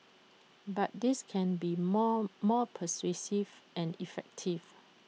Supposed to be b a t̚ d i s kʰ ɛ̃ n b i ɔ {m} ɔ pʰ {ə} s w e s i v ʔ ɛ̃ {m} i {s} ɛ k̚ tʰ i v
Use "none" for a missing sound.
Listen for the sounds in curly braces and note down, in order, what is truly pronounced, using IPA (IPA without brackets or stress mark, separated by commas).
m, ə, n, f